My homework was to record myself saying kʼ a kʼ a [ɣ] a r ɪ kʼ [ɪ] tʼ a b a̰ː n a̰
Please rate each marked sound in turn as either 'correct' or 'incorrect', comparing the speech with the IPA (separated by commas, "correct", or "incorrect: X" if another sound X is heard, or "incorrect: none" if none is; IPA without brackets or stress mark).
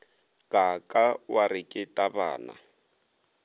incorrect: w, correct